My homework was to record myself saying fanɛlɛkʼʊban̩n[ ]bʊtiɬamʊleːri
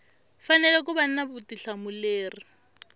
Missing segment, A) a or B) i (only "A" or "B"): A